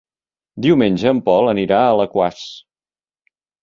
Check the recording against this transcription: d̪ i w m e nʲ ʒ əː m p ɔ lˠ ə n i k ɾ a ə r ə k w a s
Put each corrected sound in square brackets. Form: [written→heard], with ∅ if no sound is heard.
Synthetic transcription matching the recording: d̪ i w m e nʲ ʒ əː m p ɔ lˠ ə n i [k→∅] ɾ a ə [r→l] ə k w a s